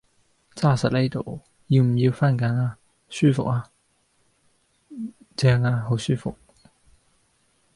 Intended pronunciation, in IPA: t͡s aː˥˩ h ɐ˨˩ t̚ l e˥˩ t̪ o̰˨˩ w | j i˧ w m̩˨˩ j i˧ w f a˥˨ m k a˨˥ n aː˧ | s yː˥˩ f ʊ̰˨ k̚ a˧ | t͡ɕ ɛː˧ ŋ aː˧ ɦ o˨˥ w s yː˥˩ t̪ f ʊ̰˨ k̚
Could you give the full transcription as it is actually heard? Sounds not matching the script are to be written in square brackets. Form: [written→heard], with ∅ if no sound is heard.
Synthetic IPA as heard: t͡s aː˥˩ [h→s] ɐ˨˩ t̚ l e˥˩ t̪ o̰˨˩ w | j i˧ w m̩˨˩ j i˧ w f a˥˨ [m→n] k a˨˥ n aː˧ | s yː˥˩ f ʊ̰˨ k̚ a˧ | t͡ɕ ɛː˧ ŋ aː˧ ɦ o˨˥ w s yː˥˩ [t̪→∅] f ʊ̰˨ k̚